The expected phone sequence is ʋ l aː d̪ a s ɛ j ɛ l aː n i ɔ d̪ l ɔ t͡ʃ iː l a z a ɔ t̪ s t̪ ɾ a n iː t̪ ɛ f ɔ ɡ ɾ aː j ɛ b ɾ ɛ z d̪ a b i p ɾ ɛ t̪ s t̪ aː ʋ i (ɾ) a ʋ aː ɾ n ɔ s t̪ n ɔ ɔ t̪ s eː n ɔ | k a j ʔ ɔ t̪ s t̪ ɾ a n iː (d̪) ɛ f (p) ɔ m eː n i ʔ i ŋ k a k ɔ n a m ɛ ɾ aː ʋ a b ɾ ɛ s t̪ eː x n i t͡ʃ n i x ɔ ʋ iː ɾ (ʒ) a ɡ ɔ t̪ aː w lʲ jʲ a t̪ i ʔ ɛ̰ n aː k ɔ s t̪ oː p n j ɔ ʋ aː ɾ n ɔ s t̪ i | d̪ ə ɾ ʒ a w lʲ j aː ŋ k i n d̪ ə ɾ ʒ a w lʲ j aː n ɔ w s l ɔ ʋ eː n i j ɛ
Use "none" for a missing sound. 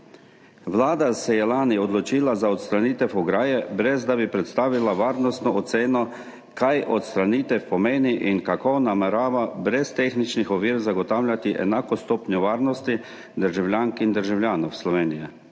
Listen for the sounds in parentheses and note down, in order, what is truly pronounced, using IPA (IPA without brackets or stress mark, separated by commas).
l, t̪, p, z